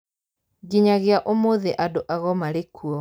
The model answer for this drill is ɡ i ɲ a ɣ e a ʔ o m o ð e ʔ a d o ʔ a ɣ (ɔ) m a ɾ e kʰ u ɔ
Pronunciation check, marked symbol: correct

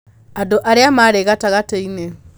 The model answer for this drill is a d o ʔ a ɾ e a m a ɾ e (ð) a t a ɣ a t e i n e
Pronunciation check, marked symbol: incorrect: ɣ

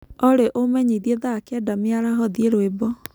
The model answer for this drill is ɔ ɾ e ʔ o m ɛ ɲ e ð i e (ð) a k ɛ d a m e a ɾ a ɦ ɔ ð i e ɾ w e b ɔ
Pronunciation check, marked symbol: correct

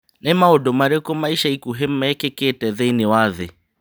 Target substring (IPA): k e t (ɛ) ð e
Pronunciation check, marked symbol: correct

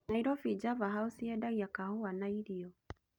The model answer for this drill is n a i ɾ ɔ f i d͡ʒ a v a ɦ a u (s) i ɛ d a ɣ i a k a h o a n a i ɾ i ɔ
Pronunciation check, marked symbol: correct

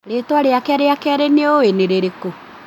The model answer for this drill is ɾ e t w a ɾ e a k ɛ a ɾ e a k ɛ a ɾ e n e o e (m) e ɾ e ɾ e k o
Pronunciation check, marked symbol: incorrect: n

